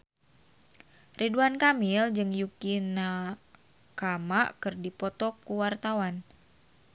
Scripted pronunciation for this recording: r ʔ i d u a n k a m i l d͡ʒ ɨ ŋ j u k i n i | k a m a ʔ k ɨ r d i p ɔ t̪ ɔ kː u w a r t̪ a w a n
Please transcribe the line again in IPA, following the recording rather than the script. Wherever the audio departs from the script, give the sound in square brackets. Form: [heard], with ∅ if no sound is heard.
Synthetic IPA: r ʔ i d u a n k a m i l d͡ʒ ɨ ŋ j u k i n [a] | k a m a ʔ k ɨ r d i p ɔ t̪ ɔ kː u w a r t̪ a w a n